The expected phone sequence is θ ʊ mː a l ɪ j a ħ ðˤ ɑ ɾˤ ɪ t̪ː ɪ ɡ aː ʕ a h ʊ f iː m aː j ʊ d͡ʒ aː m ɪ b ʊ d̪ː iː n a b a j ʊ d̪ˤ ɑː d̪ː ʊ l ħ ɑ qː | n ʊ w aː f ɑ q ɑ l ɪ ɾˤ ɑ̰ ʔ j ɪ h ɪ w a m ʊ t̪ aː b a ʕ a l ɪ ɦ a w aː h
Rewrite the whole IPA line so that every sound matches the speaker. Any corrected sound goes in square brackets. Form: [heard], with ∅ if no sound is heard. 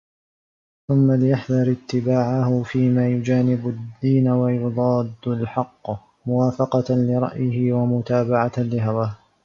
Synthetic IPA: θ ʊ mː a l ɪ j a ħ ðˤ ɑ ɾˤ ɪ t̪ː ɪ [b] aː ʕ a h ʊ f iː m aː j ʊ d͡ʒ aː [n] ɪ b ʊ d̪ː iː n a [w] a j ʊ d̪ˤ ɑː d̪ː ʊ l ħ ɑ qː | [m] ʊ w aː f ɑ q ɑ l ɪ ɾˤ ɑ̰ ʔ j ɪ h ɪ w a m ʊ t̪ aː b a ʕ a l ɪ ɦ a w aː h